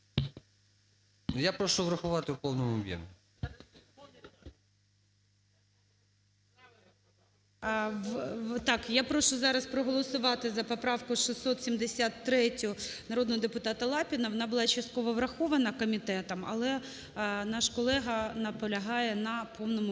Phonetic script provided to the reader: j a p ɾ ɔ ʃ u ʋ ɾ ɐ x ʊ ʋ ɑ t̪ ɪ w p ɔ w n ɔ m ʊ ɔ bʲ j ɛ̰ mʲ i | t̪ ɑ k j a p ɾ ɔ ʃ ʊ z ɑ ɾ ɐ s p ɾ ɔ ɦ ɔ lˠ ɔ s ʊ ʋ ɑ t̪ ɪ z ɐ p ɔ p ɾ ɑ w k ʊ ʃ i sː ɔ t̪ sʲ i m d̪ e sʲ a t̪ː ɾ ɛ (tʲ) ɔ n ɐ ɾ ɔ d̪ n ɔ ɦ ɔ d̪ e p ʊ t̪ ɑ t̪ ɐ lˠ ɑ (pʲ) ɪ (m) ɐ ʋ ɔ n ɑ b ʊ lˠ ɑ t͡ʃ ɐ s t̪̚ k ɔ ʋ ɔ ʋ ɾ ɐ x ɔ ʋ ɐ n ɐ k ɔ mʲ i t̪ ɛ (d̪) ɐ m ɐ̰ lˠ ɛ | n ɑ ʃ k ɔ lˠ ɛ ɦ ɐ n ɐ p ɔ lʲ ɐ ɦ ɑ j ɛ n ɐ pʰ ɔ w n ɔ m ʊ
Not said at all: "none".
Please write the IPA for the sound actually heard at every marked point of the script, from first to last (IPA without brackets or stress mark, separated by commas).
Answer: tʲ, pʲ, n, t̪